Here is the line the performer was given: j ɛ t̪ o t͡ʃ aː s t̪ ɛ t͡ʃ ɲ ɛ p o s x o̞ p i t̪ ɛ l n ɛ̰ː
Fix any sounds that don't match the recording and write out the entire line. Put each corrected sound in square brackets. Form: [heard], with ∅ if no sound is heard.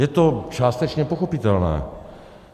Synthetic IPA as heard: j ɛ t̪ o t͡ʃ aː s t̪ ɛ t͡ʃ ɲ ɛ p o [∅] x o̞ p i t̪ ɛ l n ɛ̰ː